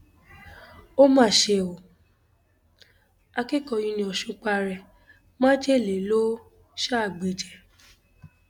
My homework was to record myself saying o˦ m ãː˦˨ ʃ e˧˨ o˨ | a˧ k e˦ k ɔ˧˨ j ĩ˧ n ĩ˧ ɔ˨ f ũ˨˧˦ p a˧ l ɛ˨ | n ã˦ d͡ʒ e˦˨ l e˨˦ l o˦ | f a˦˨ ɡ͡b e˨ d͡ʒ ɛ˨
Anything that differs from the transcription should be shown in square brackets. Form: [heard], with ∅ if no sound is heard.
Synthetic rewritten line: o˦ m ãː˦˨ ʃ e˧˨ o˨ | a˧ k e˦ k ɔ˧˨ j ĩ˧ n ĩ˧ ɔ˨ [ʃ] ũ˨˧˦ [k͡p] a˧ [ɾ] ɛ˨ | [m] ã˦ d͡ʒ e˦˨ l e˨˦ l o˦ | [ʃ] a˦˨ ɡ͡b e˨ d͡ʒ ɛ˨